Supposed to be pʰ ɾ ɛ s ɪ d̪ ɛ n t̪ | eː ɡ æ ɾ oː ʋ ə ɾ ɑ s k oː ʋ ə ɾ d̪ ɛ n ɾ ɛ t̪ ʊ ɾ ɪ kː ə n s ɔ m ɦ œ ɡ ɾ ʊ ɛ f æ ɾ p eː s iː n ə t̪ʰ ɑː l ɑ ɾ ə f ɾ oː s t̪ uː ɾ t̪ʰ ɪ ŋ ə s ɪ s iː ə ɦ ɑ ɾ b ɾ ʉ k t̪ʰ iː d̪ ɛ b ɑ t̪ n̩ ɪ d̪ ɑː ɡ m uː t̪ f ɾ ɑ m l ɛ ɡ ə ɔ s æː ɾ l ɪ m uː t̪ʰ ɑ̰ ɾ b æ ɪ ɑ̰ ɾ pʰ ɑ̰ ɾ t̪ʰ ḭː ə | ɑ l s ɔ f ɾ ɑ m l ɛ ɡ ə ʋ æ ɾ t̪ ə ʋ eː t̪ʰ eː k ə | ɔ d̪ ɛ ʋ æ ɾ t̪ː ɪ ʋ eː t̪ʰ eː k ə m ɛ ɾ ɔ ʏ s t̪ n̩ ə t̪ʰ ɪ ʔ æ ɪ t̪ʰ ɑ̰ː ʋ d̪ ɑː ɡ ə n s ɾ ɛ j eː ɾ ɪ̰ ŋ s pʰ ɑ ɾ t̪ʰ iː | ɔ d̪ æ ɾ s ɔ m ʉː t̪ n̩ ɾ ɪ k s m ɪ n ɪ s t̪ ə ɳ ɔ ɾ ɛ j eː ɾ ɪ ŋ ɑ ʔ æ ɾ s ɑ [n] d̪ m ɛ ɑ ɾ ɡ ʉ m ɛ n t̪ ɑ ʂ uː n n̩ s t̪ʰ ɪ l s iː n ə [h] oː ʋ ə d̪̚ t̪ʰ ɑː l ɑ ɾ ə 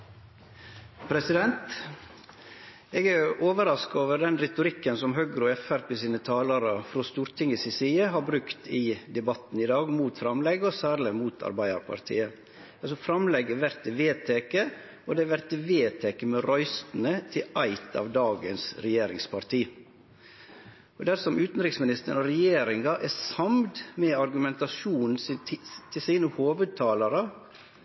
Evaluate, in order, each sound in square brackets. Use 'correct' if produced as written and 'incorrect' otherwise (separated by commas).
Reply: incorrect, correct